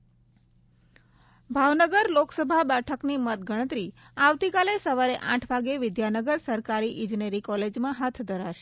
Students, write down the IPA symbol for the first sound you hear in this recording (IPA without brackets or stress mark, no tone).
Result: bʱ